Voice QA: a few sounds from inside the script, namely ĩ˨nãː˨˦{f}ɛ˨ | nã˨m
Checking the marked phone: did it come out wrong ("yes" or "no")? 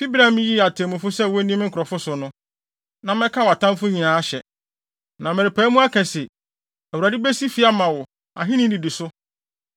yes